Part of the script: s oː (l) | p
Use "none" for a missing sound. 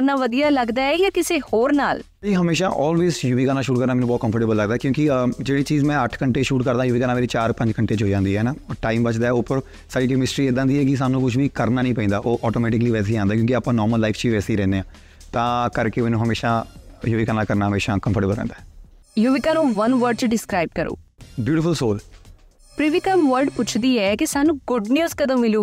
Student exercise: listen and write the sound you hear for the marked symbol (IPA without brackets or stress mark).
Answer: l